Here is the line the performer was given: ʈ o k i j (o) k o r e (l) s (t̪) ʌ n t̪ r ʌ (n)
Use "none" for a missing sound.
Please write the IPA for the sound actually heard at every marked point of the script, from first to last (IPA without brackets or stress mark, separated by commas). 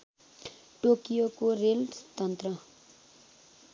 o, l, t̪, none